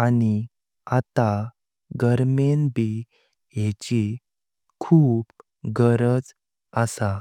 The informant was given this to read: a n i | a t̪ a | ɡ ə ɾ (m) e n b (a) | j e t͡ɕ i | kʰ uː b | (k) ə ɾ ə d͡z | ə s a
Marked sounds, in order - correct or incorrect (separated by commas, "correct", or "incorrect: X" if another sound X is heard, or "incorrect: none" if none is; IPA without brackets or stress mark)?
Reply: correct, incorrect: i, incorrect: ɡ